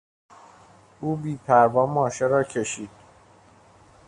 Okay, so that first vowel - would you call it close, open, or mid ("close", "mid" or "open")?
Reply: close